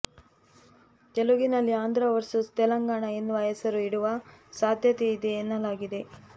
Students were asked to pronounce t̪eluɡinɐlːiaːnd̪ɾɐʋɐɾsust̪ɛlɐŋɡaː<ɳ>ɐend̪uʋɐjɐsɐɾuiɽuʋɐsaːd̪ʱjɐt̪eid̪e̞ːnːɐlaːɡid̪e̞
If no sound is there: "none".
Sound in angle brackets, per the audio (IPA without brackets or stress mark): ɳ